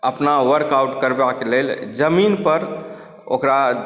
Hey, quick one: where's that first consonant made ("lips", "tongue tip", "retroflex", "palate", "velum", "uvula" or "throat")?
lips